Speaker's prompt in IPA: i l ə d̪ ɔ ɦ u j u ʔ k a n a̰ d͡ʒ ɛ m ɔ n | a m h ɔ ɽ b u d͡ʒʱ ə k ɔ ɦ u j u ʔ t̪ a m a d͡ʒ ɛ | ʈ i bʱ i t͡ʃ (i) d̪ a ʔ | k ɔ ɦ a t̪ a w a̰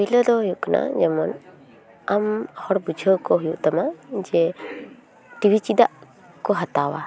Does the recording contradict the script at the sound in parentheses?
no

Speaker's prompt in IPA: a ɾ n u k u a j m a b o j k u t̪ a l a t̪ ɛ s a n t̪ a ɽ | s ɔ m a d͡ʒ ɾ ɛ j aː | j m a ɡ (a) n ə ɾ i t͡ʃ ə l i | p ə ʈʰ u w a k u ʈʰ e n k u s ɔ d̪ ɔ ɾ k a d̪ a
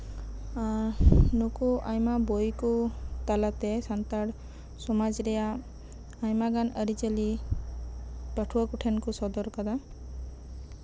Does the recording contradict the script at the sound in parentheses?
no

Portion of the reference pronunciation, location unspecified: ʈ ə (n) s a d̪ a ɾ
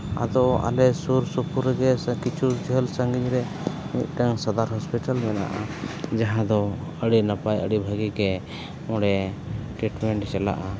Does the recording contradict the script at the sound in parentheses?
yes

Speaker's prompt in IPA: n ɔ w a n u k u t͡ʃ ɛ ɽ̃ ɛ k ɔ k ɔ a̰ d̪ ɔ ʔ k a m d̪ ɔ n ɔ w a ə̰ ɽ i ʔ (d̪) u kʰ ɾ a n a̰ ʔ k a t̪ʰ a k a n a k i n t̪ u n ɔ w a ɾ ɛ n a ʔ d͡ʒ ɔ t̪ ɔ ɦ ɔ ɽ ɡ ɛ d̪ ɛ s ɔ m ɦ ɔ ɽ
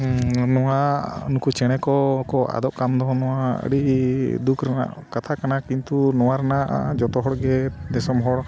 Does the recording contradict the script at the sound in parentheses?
no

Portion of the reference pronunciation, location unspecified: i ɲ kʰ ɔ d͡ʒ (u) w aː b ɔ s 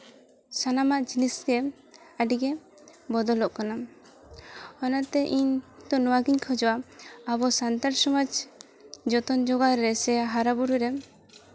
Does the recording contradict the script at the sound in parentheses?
yes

